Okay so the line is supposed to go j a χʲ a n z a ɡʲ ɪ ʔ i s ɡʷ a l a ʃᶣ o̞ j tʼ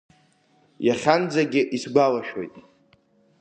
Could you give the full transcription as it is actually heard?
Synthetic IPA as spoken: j a χʲ a n d͡z a ɡʲ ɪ ʔ i s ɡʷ a l a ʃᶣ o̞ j tʼ